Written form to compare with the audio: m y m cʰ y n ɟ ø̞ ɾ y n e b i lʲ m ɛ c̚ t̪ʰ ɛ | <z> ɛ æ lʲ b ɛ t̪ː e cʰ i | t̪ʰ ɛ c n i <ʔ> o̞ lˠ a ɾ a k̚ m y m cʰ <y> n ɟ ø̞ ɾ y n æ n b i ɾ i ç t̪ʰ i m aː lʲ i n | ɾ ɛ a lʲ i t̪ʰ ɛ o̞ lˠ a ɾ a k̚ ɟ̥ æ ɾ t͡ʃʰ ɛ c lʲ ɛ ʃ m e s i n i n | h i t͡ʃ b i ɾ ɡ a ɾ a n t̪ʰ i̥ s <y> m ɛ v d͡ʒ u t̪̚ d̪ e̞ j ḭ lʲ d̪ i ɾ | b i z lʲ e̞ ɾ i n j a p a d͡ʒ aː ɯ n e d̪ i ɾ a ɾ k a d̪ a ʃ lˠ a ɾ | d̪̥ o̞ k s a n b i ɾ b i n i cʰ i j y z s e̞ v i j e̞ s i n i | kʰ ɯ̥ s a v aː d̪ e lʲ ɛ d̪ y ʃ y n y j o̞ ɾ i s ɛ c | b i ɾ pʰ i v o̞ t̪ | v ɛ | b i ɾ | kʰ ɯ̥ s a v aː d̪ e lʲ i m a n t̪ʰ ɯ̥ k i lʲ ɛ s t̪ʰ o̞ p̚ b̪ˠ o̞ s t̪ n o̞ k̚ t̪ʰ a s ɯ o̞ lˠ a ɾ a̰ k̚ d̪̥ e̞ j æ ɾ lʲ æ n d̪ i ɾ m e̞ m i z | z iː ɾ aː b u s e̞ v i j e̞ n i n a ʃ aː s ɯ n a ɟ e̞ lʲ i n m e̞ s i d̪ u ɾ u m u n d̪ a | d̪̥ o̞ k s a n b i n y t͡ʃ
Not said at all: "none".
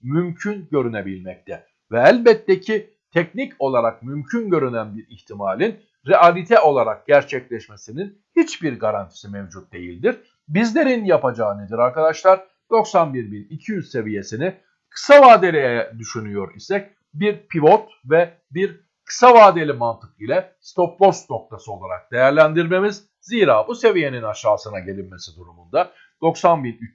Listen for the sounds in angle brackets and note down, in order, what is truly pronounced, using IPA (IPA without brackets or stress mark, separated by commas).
v, c, y, i